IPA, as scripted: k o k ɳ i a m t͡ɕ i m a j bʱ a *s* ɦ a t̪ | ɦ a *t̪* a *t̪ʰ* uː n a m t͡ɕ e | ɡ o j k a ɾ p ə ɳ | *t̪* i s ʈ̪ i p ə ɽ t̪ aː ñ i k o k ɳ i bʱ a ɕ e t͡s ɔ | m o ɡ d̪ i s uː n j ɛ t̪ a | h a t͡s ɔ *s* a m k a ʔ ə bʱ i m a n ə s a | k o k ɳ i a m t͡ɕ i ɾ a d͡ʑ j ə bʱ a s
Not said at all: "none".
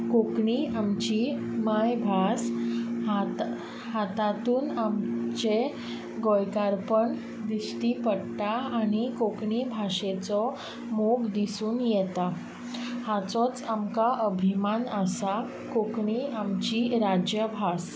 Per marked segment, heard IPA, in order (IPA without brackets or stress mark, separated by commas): s, t̪, t̪, d̪, t͡s